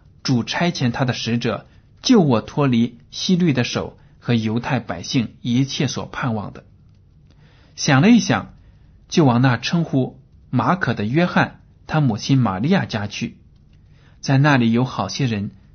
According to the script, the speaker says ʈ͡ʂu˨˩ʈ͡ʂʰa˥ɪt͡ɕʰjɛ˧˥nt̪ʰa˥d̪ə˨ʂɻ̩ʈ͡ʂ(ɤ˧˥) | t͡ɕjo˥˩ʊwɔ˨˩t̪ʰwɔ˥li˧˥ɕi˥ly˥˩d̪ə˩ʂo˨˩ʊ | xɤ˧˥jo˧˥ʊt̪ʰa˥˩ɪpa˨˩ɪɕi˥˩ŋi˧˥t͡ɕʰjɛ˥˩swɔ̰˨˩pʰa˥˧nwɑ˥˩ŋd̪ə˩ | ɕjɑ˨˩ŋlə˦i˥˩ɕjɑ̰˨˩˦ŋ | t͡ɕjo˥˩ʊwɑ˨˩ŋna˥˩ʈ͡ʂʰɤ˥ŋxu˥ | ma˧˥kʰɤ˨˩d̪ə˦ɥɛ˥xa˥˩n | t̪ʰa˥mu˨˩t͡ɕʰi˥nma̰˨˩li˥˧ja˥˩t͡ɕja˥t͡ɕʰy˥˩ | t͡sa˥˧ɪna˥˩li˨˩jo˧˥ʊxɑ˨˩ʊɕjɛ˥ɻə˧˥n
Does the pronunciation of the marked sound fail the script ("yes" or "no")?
yes